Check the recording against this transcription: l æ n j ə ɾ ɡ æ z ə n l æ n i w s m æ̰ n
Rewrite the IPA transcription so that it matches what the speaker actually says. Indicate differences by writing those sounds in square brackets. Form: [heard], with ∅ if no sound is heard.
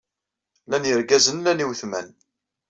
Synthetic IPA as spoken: l æ n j ə ɾ ɡ æ z ə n l æ n i w [θ] m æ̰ n

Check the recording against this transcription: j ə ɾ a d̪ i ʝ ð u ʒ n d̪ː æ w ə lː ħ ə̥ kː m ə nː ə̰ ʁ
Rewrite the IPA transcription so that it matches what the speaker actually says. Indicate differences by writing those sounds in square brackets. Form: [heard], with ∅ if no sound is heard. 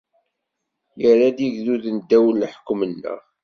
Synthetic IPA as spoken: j ə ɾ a d̪ i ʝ ð u [ð] n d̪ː æ w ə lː ħ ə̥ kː m ə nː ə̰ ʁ

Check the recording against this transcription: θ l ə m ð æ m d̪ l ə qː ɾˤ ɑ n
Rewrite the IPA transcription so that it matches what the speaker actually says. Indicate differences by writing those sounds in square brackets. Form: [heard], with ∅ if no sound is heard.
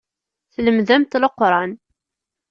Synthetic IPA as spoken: θ l ə m ð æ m [t̪] l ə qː ɾˤ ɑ n

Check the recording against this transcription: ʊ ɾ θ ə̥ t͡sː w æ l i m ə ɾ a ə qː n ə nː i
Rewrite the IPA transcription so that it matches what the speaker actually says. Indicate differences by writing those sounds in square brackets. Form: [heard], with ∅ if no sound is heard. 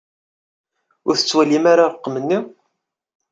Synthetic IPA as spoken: ʊ ɾ θ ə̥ t͡sː w æ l i m [a] ɾ a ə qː [m] ə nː i

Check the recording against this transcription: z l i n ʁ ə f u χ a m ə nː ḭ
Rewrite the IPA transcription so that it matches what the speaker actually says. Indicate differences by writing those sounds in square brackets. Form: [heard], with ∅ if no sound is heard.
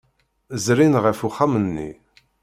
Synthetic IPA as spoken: z [ɾ] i n ʁ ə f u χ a m ə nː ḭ

